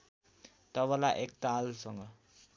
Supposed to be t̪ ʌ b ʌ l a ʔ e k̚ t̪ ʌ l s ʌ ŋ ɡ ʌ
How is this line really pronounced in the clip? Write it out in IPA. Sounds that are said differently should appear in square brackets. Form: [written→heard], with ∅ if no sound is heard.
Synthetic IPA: t̪ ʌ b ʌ l a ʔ e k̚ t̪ [ʌ→a] l s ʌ ŋ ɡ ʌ